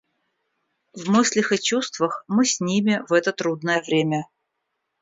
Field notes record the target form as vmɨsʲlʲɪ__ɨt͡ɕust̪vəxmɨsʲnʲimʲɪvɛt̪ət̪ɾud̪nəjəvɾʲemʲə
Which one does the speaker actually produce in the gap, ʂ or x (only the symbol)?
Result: x